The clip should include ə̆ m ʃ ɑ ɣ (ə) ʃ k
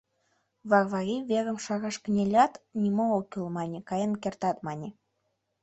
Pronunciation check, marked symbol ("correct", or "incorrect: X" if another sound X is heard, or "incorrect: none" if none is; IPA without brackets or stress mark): incorrect: ɑ